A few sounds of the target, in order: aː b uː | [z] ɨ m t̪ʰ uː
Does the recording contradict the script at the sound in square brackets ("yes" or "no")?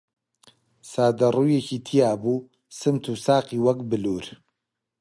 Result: yes